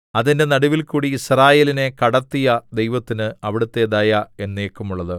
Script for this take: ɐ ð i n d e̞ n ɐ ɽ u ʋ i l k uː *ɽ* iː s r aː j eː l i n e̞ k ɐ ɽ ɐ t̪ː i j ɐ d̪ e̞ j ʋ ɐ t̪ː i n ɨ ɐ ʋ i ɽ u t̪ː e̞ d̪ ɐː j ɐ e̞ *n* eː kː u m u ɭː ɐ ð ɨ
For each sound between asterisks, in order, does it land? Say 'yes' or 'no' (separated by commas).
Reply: yes, no